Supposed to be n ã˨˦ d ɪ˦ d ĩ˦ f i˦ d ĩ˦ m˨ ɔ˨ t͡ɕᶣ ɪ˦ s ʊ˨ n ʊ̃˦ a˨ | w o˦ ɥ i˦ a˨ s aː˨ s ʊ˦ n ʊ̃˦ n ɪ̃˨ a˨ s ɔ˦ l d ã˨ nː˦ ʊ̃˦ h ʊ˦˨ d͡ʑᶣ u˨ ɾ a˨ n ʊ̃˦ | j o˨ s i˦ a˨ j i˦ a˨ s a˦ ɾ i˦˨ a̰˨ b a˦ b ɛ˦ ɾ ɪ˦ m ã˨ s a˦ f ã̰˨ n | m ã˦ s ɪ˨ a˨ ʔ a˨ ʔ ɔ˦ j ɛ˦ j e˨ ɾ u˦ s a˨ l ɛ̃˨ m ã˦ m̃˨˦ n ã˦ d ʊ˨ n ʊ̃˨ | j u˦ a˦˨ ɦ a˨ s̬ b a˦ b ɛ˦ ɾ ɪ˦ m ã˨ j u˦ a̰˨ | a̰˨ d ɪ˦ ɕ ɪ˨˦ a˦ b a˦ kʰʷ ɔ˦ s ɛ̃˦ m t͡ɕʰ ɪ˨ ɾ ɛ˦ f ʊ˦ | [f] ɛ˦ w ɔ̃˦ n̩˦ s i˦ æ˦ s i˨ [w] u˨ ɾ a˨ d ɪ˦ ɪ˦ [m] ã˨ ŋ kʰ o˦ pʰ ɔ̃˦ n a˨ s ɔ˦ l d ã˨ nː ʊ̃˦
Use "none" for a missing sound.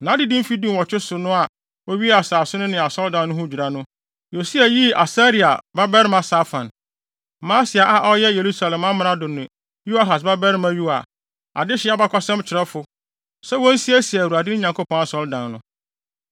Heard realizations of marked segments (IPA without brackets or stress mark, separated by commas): s, w, ɲ